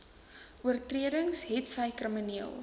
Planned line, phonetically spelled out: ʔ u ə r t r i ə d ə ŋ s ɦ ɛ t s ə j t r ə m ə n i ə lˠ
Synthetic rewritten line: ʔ u ə r t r i ə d ə ŋ s ɦ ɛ t s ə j k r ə m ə n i ə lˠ